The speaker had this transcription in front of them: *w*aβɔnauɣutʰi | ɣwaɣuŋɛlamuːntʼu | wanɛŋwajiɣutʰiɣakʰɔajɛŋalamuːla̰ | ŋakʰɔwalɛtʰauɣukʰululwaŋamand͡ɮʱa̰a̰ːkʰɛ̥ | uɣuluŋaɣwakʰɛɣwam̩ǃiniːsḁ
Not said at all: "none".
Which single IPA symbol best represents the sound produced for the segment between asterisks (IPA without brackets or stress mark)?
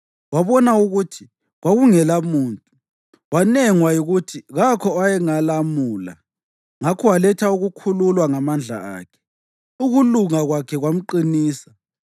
w